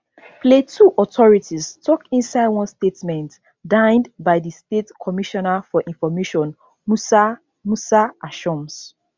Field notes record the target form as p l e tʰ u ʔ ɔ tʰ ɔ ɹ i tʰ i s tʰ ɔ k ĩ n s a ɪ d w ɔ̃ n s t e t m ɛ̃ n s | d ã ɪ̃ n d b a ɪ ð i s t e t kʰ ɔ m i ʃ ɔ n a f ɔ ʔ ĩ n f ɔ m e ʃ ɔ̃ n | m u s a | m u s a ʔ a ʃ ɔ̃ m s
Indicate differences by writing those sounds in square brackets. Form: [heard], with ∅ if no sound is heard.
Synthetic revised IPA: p l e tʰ u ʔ ɔ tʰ ɔ ɹ i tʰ i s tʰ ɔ k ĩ n s a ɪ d w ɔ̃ n s t e t m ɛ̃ n [t] | d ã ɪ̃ n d b a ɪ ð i s t e t kʰ ɔ m i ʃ ɔ n a f ɔ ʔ ĩ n f ɔ m e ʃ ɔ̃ n | m u s a | m u s a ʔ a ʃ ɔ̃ m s

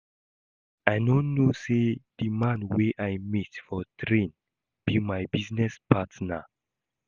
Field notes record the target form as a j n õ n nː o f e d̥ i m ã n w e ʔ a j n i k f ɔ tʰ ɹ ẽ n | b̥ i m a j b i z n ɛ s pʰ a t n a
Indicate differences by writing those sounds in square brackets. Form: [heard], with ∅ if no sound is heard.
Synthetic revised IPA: a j n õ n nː o [s] e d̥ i m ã n w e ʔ a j [m] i [t] f ɔ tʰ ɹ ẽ n | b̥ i m a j b i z n ɛ s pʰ a t n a

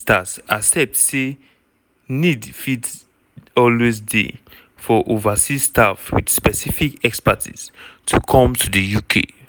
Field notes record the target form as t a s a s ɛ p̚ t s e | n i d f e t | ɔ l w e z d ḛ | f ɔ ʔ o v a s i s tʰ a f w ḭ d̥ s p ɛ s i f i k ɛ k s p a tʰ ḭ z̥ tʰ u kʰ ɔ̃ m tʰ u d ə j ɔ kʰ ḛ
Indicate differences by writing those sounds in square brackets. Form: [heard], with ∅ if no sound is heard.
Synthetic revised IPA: t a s a s ɛ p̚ t s e | n i d f [i] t | ɔ l w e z d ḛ | f ɔ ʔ o v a s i s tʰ a f w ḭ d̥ s p ɛ s i f i k ɛ k s p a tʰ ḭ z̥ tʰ u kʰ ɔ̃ m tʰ u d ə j [u] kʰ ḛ

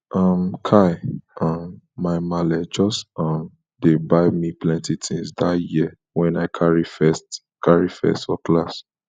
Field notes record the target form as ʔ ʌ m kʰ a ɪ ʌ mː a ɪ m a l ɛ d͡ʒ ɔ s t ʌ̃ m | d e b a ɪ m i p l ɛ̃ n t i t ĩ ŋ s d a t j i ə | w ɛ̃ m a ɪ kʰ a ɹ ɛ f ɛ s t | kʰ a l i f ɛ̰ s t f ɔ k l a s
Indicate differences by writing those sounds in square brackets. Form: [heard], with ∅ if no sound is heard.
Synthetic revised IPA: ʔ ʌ m kʰ a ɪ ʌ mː a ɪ m a l ɛ d͡ʒ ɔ s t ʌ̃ m | d e b a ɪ m i p l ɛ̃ n t i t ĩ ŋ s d a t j i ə | w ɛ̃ [n] a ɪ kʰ a ɹ [i] f ɛ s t | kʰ a [ɹ] i f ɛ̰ s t f ɔ k l a s

